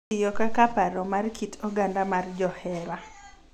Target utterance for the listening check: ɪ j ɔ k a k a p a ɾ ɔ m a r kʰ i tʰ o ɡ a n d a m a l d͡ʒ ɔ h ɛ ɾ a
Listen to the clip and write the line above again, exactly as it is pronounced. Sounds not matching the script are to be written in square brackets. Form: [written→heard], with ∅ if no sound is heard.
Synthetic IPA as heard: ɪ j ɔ k a k a p a ɾ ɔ m a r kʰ i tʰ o ɡ a n d a m a [l→r] d͡ʒ ɔ h ɛ ɾ a